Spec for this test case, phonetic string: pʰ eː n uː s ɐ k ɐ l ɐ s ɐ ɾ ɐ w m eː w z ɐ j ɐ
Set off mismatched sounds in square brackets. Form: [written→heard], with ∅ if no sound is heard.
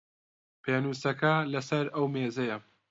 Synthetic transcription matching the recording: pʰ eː n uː s ɐ k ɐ l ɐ s ɐ ɾ ɐ w m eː [w→∅] z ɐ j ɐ